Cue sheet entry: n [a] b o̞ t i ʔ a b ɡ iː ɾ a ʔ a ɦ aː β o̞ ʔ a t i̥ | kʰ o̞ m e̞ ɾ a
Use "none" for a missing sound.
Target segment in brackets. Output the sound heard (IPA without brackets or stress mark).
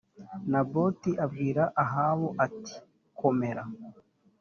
a